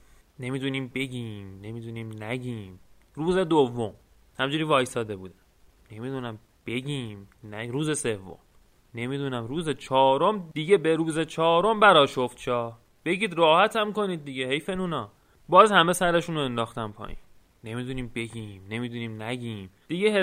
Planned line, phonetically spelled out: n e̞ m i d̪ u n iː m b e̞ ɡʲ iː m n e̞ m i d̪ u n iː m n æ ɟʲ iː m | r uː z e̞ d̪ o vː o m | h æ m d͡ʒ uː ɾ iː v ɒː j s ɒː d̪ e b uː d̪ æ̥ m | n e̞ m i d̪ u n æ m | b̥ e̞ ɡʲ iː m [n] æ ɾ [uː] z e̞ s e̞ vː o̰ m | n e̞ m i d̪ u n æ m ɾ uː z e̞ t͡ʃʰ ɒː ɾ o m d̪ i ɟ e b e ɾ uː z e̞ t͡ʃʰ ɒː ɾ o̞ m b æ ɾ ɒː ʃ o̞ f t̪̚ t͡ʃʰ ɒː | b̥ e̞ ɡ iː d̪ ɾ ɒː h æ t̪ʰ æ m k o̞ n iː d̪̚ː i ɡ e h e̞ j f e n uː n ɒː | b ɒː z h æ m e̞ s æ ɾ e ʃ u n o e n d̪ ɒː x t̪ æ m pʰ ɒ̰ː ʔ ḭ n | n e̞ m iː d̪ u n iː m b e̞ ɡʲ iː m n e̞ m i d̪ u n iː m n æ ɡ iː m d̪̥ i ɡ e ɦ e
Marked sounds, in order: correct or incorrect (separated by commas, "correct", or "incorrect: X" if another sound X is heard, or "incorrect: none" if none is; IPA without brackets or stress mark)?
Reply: correct, correct